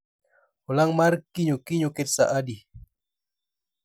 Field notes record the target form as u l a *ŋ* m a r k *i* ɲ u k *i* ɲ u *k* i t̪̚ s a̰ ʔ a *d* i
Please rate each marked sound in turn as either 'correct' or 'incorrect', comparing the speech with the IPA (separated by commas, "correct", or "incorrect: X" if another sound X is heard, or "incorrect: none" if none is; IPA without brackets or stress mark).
correct, correct, correct, correct, correct